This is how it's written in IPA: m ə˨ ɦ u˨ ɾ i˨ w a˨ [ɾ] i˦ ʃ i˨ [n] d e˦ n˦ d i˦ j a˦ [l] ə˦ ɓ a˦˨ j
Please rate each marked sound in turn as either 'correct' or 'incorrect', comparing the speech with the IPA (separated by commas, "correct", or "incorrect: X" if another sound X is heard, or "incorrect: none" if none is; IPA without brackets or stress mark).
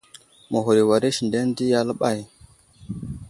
correct, correct, correct